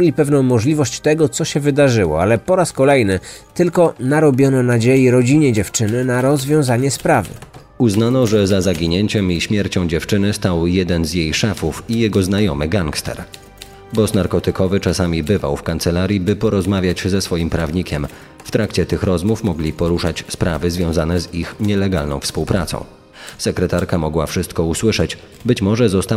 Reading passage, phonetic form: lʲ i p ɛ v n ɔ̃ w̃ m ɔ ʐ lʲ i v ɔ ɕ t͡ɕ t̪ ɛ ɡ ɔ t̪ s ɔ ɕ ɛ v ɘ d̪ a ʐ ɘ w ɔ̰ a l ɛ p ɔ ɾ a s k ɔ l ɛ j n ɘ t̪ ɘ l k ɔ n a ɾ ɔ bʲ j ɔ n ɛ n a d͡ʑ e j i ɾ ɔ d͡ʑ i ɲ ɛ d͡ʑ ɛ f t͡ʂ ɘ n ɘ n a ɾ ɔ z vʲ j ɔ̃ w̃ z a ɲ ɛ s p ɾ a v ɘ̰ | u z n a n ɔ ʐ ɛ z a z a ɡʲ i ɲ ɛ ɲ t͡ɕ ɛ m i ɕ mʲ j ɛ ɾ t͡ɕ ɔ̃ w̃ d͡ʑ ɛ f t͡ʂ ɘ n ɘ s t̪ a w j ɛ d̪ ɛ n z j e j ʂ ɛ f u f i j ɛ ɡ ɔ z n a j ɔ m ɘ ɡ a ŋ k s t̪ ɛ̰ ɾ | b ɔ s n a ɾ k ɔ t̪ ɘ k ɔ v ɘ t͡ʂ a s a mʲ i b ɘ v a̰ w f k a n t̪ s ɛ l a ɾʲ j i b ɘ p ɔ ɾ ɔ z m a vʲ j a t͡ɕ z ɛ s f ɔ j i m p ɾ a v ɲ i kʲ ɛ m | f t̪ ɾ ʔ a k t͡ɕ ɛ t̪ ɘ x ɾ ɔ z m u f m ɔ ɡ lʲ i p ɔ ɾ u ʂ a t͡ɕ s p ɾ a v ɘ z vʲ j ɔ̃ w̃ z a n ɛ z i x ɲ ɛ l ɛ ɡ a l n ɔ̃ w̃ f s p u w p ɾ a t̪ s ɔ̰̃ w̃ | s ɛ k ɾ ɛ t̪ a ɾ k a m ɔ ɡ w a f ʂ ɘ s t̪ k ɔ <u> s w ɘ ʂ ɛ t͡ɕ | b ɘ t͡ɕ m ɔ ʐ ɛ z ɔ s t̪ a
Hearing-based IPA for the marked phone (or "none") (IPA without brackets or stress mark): u